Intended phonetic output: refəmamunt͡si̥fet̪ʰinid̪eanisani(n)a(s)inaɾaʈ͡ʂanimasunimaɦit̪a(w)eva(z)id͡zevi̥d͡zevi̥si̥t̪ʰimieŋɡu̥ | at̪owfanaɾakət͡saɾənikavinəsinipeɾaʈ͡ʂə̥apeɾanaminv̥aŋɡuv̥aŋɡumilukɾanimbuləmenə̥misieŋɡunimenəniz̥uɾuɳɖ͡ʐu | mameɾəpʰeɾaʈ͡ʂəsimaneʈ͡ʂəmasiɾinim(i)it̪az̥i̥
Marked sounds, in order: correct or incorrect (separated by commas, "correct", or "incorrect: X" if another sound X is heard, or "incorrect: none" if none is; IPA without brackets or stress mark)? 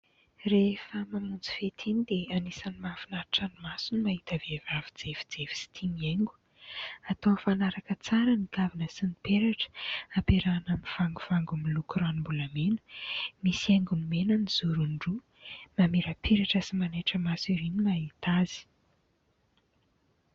incorrect: m, incorrect: f, incorrect: v, incorrect: v, incorrect: a